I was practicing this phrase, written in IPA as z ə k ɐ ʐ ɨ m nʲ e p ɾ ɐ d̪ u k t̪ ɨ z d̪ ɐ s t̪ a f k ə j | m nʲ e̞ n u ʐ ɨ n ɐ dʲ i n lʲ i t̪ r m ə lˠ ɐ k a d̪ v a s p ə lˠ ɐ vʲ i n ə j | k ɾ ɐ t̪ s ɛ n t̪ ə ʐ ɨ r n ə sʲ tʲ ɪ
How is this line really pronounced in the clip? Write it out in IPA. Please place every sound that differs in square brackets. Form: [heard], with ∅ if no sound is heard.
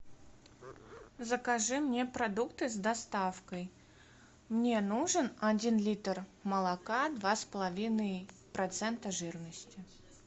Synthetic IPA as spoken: z ə k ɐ ʐ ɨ m nʲ e p ɾ ɐ d̪ u k t̪ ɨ z d̪ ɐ s t̪ a f k ə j | m nʲ e̞ n u ʐ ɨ n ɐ dʲ i n lʲ i t̪ r m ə lˠ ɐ k a d̪ v a s p ə lˠ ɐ vʲ i n ə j | [p] ɾ ɐ t̪ s ɛ n t̪ ə ʐ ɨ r n ə sʲ tʲ ɪ